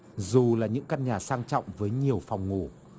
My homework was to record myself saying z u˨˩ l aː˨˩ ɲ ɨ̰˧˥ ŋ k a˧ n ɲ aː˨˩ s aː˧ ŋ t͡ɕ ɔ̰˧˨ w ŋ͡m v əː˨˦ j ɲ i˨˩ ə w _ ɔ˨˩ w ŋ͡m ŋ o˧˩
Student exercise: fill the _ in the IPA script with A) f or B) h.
A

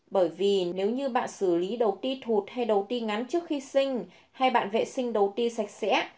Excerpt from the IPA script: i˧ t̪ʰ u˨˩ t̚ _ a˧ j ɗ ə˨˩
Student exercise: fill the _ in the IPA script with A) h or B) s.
A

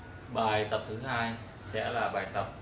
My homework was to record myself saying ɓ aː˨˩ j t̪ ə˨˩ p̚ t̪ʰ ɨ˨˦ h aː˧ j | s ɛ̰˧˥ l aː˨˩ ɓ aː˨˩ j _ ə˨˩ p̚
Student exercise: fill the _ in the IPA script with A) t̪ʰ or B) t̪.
B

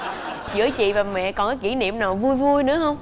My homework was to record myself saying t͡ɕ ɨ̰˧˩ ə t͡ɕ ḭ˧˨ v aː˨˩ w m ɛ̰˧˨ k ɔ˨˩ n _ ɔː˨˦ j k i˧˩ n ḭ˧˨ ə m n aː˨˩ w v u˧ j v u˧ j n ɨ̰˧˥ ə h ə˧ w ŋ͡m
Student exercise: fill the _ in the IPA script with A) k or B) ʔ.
A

